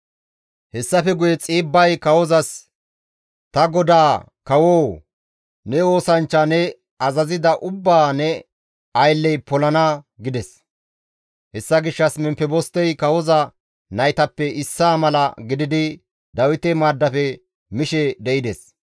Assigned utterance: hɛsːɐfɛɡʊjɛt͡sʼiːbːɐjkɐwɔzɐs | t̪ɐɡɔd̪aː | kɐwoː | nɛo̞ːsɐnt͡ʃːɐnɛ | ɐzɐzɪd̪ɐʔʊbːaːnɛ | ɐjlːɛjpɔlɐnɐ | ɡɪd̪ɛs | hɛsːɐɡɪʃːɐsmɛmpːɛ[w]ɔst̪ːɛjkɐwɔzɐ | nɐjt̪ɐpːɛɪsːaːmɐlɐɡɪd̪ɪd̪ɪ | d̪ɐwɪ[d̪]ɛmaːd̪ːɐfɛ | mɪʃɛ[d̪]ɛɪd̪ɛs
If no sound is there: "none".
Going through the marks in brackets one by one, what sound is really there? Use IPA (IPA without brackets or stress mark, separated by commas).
b, t̪, d̪